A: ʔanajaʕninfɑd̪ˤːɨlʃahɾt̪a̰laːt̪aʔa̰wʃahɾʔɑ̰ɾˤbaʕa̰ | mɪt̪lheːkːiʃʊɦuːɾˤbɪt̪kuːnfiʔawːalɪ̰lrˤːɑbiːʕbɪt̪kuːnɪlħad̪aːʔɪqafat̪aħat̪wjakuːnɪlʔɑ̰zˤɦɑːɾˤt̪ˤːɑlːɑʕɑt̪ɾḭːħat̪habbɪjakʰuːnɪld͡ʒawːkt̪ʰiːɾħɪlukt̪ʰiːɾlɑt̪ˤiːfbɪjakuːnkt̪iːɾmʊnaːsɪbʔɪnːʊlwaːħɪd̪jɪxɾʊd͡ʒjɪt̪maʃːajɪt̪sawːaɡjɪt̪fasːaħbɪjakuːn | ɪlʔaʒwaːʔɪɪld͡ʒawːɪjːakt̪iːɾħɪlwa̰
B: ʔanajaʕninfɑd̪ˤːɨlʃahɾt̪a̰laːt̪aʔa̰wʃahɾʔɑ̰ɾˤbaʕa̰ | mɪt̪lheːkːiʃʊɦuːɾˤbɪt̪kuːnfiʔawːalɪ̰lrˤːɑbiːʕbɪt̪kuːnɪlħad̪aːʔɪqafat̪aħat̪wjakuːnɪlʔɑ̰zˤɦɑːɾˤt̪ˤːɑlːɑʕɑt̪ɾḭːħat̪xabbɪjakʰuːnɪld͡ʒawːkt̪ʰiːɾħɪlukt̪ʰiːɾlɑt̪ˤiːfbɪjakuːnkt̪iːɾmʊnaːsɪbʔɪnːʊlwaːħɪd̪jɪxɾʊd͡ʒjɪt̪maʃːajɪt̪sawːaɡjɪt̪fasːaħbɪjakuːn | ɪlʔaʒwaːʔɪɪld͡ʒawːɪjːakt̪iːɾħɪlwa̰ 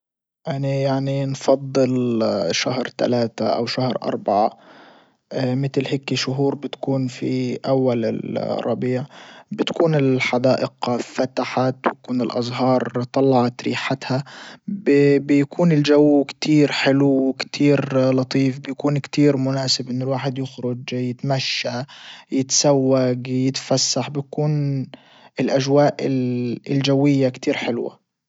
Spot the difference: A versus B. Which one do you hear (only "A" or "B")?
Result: A